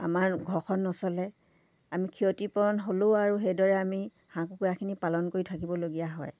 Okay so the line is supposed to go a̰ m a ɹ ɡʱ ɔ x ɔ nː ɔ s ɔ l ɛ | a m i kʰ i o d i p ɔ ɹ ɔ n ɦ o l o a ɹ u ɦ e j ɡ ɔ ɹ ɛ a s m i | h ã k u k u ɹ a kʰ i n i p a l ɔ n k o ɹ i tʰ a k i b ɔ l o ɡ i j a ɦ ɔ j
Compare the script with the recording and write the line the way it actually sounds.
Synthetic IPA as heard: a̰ m a ɹ ɡʱ ɔ x ɔ nː ɔ s ɔ l ɛ | a m i kʰ i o t i p ɔ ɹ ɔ n ɦ o l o a ɹ u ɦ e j d ɔ ɹ ɛ a m i | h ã k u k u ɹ a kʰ i n i p a l ɔ n k o ɹ i tʰ a k i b ɔ l o ɡ i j a ɦ ɔ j